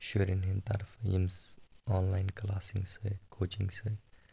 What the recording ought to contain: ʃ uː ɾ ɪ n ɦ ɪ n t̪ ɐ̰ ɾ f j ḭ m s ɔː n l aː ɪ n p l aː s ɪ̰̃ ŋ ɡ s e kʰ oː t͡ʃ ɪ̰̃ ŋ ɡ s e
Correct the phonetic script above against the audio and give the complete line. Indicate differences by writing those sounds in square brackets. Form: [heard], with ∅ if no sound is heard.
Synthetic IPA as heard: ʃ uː ɾ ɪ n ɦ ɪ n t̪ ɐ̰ ɾ f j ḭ m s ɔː n l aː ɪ n [k] l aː s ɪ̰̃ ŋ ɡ s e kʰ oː t͡ʃ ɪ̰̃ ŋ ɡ s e